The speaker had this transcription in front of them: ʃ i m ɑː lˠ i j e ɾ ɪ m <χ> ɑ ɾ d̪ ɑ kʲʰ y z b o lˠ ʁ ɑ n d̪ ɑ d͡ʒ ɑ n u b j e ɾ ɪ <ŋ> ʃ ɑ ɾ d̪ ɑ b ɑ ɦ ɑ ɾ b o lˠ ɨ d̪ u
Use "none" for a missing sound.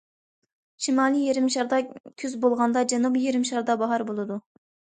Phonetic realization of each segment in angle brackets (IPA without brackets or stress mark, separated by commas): ʃ, m